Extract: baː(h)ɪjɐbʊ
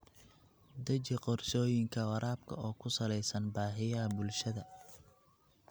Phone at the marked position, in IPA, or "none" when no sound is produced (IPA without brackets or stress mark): ħ